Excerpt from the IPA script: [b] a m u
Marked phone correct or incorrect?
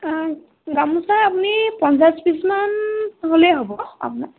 incorrect